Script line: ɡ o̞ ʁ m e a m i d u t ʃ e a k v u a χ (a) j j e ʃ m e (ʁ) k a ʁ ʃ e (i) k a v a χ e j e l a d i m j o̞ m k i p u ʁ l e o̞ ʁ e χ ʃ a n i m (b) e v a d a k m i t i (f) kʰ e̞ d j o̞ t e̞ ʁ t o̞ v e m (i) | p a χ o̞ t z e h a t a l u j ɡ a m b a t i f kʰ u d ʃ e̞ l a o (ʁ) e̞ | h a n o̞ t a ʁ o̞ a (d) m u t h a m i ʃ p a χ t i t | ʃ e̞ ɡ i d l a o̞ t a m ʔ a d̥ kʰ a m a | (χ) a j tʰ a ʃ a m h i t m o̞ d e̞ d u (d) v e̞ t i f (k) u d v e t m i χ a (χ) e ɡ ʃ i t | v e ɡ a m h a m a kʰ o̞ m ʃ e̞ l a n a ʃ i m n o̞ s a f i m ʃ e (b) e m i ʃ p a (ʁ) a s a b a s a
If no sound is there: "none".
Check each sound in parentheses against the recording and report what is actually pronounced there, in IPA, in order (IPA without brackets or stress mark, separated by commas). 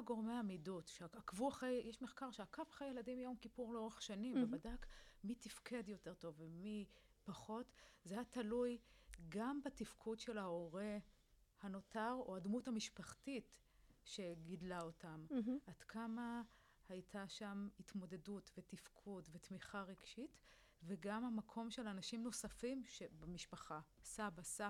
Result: e, χ, a, v, f, i, ʁ, d, h, t, kʰ, ʁ, b, χ